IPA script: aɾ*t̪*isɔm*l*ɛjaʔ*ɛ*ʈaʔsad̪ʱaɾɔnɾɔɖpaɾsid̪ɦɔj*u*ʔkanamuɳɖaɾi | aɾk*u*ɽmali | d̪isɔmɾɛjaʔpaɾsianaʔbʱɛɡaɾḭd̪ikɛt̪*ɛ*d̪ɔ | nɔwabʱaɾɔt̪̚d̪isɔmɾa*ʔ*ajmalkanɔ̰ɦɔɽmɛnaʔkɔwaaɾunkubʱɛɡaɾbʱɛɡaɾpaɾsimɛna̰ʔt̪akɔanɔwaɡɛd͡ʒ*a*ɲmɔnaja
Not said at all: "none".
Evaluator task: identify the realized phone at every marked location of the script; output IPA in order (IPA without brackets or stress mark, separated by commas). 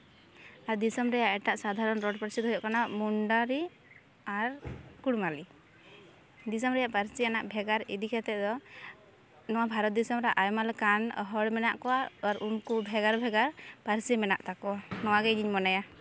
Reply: d̪, ɾ, ɛ, ɔ, u, ɛ, ʔ, i